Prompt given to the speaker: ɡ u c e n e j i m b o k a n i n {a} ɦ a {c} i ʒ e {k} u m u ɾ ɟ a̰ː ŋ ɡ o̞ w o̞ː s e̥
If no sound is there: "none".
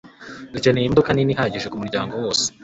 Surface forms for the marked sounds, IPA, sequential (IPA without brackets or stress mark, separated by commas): i, ɟ, k